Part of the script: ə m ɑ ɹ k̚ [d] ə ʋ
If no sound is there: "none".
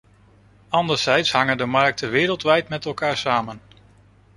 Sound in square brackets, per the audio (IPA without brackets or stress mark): t